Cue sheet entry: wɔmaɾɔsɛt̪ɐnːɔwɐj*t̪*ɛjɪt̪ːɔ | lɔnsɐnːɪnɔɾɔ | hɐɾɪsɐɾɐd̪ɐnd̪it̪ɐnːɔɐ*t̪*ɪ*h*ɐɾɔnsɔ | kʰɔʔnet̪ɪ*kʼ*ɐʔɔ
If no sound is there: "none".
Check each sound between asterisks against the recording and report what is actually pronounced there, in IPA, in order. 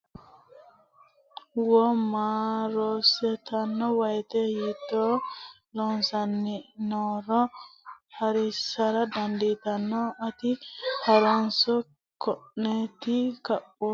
t̪, t̪, h, k

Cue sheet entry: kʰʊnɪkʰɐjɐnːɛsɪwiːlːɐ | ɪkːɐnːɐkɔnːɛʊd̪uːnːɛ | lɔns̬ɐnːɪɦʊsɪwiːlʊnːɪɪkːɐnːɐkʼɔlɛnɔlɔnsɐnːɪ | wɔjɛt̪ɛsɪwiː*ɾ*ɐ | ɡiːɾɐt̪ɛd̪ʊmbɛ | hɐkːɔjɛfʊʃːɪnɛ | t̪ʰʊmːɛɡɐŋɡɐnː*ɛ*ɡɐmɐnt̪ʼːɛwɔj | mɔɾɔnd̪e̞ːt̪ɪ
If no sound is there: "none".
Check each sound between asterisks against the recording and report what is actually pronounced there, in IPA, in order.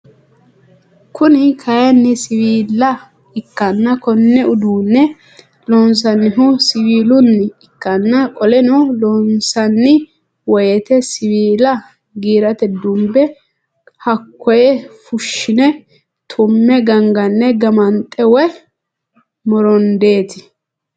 l, ɛ

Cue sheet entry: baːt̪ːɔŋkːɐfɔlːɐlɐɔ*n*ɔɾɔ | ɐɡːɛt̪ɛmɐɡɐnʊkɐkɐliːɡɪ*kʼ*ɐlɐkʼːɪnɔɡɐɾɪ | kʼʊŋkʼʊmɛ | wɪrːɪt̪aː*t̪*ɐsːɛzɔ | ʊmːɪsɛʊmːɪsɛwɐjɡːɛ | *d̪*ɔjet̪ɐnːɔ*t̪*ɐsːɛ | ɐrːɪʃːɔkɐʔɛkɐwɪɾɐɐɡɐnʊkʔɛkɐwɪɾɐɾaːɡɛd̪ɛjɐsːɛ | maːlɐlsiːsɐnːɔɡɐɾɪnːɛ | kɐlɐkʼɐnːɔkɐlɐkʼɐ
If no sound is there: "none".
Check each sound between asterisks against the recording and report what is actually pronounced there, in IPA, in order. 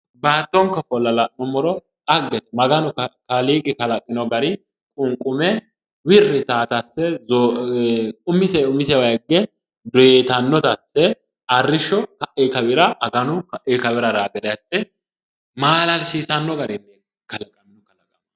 m, k, t̪, d̪, t̪

